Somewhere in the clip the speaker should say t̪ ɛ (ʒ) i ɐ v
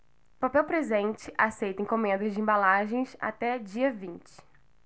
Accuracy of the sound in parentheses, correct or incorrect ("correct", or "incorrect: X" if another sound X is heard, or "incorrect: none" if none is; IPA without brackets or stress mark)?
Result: incorrect: d͡ʒ